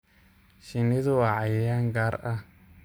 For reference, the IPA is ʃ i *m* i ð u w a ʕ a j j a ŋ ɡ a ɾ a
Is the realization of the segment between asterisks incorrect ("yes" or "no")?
yes